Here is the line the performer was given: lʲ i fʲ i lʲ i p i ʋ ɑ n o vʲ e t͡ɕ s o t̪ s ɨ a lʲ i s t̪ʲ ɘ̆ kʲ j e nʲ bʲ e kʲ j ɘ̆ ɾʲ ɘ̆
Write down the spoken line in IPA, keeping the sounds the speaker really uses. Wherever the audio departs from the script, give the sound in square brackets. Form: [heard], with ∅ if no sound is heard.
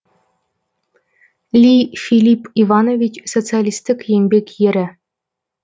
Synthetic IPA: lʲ i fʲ i lʲ i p i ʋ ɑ n o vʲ [i] t͡ɕ s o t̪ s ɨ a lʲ i s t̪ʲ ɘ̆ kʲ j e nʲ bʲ e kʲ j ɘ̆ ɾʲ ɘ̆